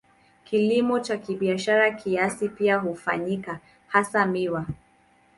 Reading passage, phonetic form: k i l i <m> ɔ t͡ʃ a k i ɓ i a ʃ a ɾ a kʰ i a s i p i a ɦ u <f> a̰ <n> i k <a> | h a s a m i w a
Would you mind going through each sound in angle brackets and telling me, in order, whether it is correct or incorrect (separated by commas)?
correct, correct, incorrect, correct